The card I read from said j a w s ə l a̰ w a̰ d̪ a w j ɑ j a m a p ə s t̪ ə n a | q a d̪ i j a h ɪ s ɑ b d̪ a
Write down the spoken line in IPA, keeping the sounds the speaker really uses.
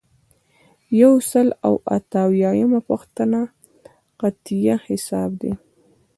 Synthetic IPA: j a w s ə l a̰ w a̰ t̪ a w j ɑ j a m a p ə x t̪ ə n a | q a t̪ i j a h ɪ s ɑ b d̪ e

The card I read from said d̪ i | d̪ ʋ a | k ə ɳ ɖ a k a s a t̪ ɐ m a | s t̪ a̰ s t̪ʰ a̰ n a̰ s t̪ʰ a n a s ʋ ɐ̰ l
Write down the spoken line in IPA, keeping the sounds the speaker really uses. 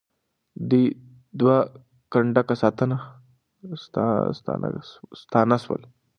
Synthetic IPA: d̪ i | d̪ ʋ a | k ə ɳ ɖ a k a s a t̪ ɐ n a | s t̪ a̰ s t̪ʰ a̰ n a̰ s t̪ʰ a n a s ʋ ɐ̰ l

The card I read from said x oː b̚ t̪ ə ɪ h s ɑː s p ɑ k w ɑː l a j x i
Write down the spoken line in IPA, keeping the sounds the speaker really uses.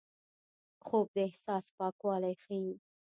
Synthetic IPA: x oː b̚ d̪ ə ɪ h s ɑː s p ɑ k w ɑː l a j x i

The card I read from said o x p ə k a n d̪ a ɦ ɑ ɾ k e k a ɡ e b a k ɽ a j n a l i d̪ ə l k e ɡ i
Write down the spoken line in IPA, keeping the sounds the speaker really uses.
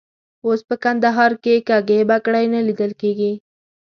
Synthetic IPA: o s p ə k a n d̪ a ɦ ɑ ɾ k e k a ɡ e b a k ɽ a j n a l i d̪ ə l k e ɡ i

